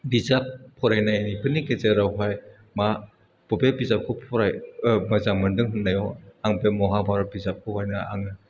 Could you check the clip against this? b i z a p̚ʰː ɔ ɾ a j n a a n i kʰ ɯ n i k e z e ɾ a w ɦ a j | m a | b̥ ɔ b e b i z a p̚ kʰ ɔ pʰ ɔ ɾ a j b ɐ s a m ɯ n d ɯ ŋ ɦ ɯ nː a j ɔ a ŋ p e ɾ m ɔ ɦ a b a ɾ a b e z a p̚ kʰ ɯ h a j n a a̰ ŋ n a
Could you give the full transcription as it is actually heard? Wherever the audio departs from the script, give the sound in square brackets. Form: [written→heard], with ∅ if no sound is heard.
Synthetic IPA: b i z a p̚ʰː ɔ ɾ a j n a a n i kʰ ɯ n i k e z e ɾ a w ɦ a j | m a | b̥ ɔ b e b i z a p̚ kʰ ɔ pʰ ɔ ɾ a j [b→m] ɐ [s→z] a m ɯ n d ɯ ŋ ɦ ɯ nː a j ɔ a ŋ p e [ɾ→∅] m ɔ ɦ a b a ɾ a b [e→i] z a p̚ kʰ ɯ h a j n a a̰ ŋ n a